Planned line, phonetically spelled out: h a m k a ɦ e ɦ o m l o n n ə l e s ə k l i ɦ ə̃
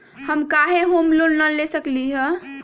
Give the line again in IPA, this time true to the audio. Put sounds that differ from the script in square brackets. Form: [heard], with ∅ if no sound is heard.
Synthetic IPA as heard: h [ə] m k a ɦ e ɦ o m l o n n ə l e s ə k l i ɦ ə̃